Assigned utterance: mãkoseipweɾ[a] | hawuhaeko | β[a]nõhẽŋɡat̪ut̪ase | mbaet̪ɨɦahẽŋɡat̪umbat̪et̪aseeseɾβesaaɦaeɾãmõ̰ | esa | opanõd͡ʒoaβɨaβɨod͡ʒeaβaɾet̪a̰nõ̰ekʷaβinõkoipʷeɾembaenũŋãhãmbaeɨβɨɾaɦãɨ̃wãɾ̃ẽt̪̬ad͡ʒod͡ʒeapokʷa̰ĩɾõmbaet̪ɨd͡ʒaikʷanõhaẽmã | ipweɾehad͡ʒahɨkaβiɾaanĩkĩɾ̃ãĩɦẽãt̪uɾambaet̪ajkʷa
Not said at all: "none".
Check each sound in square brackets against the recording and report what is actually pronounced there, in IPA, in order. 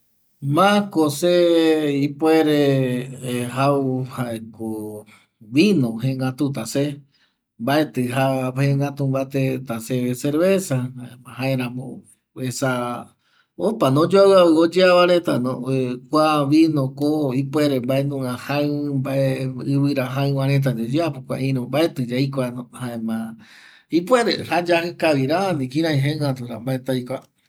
e, i

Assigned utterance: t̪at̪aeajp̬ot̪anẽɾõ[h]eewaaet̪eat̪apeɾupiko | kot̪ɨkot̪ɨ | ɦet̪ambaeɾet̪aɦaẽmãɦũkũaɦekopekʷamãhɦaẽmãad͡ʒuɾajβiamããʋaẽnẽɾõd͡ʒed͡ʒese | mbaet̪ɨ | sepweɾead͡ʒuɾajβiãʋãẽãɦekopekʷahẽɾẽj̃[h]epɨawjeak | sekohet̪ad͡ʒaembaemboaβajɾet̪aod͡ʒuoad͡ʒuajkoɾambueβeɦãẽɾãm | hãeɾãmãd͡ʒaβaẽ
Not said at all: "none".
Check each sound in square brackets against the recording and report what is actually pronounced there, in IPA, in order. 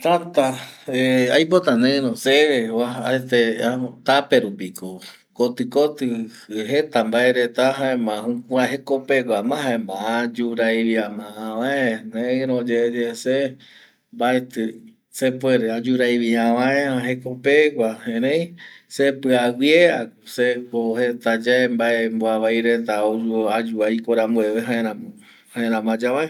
s, s

